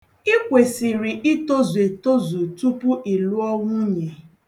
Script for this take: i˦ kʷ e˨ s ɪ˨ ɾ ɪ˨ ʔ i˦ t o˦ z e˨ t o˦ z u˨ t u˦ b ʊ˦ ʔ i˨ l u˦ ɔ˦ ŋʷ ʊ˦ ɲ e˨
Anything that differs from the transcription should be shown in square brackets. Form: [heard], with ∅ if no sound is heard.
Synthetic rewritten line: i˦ kʷ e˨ s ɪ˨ ɾ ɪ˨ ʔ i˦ t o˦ z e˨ t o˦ z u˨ t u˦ [p] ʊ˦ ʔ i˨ l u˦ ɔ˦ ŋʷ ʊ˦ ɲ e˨